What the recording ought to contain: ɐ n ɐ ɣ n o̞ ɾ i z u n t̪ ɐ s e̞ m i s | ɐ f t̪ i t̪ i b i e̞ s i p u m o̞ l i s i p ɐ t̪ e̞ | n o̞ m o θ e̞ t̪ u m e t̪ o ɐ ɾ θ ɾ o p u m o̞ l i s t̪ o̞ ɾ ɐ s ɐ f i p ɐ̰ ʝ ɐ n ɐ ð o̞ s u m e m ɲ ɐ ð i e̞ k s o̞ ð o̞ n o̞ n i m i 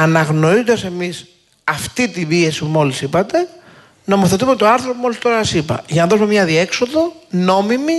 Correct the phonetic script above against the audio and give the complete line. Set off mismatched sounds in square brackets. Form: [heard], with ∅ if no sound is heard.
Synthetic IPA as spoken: ɐ n ɐ ɣ n o̞ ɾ i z [o] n [d̪] ɐ s e̞ m i s | ɐ f t̪ i t̪ i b i e̞ s i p u m o̞ l i s i p ɐ t̪ e̞ | n o̞ m o θ e̞ t̪ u m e t̪ o ɐ ɾ θ ɾ o p u m o̞ l i s t̪ o̞ ɾ ɐ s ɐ [s] i p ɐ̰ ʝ ɐ n ɐ ð o̞ s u m e m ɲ ɐ ð i e̞ k s o̞ ð o̞ n o̞ [m] i m i